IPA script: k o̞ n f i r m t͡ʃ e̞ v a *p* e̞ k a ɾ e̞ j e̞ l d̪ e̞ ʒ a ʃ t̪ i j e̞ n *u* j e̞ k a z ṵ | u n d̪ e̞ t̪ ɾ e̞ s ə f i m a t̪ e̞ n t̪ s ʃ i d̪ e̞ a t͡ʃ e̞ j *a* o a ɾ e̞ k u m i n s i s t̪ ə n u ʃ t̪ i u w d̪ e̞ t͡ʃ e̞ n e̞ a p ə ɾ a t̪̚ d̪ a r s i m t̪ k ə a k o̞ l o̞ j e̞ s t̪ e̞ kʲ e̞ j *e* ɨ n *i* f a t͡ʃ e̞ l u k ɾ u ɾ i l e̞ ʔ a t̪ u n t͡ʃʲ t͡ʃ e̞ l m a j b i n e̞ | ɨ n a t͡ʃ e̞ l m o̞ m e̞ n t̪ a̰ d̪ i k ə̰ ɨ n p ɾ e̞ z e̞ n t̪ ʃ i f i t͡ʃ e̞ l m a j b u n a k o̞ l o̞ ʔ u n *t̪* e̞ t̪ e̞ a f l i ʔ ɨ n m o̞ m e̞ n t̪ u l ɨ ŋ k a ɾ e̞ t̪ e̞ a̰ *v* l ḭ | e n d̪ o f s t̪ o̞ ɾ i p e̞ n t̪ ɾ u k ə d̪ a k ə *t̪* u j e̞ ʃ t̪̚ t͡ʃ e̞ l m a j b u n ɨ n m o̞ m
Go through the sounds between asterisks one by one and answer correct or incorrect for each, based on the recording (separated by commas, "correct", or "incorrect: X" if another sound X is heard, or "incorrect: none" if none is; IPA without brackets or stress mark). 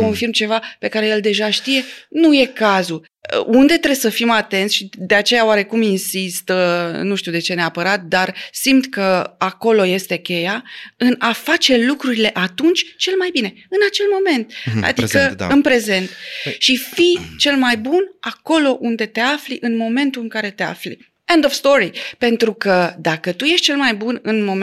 correct, correct, correct, incorrect: a, incorrect: a, incorrect: d̪, incorrect: f, correct